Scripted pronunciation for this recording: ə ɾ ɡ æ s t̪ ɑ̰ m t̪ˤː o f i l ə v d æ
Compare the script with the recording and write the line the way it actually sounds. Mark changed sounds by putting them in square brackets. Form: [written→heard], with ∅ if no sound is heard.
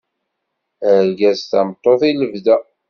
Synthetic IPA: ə ɾ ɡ æ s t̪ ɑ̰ m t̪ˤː o [f→θ] i l ə v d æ